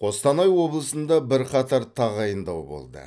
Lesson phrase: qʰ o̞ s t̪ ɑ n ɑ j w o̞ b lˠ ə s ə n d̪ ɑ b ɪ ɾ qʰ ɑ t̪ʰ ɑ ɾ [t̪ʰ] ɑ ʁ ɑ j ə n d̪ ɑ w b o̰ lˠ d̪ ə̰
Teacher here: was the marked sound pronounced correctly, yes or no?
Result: yes